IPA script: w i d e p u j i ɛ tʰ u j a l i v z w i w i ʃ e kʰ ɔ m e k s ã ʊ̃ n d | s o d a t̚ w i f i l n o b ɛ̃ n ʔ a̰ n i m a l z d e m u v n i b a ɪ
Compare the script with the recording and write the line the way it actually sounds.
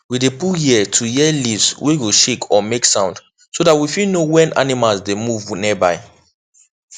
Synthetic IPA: w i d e p u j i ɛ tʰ u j ɛ l i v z w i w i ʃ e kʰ ɔ m e k s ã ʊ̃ n d | s o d a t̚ w i f i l n o w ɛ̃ n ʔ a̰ n i m a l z d e m u v n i b a ɪ